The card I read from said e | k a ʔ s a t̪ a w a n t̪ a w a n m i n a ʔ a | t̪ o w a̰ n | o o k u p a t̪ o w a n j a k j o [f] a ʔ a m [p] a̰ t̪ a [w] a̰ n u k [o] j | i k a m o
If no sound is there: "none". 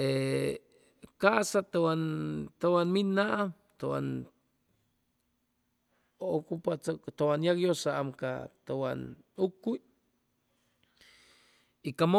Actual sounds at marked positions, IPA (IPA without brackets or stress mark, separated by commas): s, k, w, u